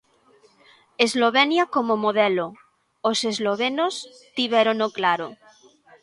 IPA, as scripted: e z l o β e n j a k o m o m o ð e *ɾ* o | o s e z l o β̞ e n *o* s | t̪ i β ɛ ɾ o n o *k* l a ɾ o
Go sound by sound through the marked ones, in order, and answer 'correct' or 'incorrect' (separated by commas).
incorrect, correct, correct